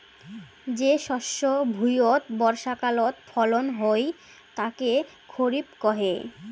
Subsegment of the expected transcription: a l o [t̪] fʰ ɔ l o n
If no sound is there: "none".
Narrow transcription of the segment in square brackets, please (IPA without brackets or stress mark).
t̪